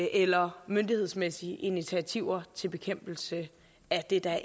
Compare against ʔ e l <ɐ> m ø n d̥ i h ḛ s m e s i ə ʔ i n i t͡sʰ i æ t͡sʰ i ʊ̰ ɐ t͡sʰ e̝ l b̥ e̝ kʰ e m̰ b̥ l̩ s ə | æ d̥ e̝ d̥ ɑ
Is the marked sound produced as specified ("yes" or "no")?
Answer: yes